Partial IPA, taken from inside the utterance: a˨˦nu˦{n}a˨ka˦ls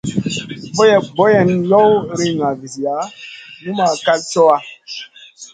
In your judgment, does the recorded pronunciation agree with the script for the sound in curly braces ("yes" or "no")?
no